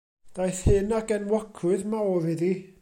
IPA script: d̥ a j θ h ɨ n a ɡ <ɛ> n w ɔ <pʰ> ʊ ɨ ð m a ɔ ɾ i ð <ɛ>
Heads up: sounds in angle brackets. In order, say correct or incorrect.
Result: correct, incorrect, incorrect

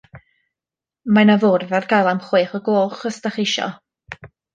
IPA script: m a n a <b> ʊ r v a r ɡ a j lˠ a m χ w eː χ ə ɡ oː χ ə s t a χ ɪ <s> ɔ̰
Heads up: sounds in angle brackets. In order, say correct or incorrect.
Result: incorrect, incorrect

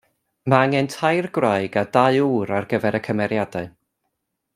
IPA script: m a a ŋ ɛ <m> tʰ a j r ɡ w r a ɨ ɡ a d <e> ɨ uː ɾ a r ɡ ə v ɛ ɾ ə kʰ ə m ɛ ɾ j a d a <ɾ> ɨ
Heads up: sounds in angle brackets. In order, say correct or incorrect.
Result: incorrect, incorrect, incorrect

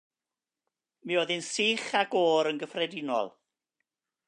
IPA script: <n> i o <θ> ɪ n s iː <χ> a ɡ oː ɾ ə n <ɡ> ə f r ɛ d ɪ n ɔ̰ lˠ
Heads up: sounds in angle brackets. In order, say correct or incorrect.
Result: incorrect, incorrect, correct, correct

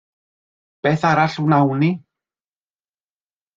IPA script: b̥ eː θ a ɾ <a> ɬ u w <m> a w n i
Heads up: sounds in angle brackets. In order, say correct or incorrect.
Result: correct, incorrect

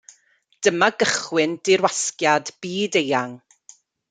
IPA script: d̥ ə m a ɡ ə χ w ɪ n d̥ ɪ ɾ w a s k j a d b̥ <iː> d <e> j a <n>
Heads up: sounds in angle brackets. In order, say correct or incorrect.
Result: correct, correct, incorrect

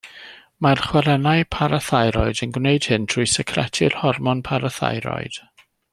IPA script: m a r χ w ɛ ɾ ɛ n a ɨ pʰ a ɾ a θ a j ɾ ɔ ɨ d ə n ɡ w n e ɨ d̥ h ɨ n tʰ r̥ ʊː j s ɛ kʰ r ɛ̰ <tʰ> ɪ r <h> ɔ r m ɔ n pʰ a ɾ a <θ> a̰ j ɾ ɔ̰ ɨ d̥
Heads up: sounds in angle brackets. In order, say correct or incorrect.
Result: correct, correct, correct

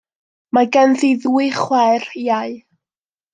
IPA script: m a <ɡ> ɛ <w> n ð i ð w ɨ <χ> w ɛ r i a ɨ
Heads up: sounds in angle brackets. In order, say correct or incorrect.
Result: correct, incorrect, correct

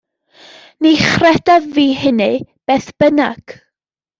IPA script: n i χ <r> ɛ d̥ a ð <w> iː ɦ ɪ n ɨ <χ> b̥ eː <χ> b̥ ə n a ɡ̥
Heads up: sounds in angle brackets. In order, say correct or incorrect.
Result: correct, incorrect, incorrect, incorrect

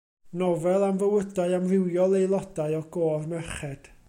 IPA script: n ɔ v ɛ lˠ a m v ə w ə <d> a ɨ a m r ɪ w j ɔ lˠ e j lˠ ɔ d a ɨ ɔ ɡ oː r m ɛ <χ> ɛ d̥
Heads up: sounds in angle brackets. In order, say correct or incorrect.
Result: correct, correct

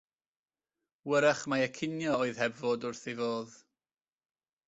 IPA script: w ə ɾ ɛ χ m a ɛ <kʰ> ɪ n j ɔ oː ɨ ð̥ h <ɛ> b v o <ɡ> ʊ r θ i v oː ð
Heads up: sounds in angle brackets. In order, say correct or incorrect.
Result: correct, correct, incorrect

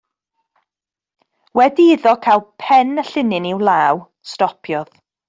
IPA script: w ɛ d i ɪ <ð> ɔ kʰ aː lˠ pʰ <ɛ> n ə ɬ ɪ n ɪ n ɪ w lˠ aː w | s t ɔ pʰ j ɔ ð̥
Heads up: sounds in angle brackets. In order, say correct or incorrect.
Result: correct, correct

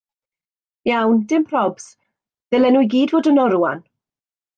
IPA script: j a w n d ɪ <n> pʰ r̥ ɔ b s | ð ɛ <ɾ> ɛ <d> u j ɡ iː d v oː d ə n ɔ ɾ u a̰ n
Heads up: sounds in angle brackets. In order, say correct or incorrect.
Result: incorrect, incorrect, incorrect

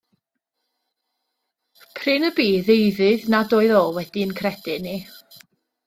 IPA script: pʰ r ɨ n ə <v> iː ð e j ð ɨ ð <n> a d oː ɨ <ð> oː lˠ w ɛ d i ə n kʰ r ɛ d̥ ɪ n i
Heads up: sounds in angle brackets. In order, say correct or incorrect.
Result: incorrect, correct, correct

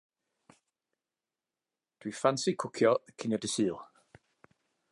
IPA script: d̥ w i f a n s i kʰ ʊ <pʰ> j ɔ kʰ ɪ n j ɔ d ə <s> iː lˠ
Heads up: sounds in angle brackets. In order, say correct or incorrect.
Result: incorrect, correct

